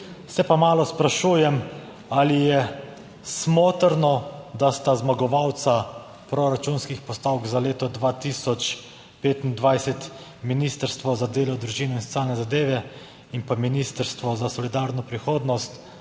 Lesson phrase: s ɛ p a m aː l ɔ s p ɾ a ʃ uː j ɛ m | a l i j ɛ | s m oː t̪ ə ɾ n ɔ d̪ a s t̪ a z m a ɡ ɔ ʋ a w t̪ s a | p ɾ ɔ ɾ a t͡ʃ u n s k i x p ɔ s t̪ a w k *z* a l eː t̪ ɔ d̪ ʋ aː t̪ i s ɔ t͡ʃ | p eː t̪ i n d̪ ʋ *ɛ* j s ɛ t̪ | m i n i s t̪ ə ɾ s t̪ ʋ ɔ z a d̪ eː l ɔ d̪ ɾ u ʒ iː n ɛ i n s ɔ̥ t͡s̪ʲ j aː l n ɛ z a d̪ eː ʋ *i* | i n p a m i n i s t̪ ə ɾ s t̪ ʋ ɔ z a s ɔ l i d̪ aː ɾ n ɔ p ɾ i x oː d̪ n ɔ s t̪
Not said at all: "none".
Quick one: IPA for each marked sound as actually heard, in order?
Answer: z, a, ɛ

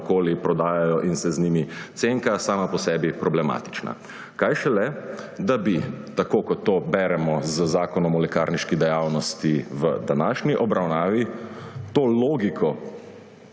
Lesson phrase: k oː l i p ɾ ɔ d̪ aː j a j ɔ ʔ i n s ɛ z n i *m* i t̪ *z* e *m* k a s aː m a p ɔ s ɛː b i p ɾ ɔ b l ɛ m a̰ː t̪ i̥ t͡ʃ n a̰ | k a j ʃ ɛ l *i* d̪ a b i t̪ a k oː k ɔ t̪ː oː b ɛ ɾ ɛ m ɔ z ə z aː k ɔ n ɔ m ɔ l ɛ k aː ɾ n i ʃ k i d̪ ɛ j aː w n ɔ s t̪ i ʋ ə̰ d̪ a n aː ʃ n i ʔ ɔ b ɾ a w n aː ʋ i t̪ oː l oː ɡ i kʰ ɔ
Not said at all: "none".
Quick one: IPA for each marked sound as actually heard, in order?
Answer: m, s, ŋ, ɛ

